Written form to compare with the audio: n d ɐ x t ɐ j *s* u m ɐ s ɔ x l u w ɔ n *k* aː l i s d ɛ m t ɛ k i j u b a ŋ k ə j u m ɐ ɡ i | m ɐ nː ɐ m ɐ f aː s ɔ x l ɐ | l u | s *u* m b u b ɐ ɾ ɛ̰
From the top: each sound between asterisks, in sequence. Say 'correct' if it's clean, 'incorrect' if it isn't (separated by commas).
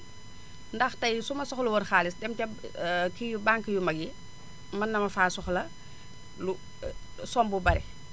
correct, incorrect, incorrect